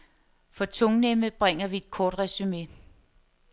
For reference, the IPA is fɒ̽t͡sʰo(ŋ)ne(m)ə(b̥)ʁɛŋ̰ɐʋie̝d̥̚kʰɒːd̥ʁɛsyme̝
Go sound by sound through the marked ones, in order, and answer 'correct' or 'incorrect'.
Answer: correct, correct, correct

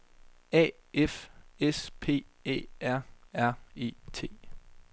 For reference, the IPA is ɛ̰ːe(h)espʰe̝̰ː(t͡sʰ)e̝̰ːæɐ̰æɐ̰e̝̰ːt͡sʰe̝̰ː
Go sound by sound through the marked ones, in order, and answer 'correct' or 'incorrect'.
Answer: incorrect, incorrect

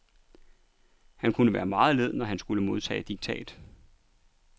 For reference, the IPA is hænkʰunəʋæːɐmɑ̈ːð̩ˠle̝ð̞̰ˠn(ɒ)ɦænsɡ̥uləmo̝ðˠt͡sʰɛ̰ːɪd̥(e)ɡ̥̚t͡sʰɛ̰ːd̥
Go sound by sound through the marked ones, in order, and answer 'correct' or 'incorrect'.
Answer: correct, incorrect

